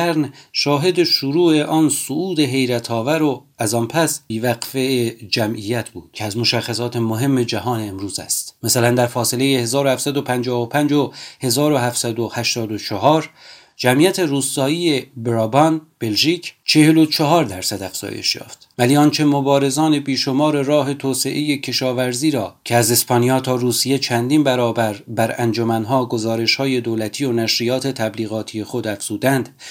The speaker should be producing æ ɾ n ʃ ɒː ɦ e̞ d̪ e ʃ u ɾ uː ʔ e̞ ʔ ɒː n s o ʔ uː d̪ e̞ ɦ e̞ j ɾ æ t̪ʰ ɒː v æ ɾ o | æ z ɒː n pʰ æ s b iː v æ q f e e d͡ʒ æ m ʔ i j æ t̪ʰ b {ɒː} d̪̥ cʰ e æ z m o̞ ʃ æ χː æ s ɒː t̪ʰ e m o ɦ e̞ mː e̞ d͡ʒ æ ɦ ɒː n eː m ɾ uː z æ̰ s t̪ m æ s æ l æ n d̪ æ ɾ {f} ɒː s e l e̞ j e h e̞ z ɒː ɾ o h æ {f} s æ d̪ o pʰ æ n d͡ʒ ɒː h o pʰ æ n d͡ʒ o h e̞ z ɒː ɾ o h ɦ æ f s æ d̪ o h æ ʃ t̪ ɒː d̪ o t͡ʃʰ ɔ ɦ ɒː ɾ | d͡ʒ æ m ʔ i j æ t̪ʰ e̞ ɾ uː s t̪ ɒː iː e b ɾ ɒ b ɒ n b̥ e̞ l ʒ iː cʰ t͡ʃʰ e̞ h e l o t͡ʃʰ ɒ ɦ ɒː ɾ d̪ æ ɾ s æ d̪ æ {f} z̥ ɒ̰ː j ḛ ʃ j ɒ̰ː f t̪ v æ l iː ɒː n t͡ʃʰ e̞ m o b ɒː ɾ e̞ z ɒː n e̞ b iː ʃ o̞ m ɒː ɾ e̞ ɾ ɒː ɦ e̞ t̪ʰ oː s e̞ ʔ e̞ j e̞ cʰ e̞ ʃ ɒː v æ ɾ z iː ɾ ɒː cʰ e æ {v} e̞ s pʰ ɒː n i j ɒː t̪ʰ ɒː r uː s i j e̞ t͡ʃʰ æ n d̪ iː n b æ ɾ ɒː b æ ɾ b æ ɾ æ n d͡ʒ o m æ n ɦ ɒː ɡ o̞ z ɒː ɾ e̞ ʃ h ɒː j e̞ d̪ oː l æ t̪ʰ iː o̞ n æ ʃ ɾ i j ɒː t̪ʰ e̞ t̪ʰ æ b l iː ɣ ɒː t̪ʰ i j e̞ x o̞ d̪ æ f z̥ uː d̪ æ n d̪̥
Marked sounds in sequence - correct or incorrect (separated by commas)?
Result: incorrect, correct, correct, correct, incorrect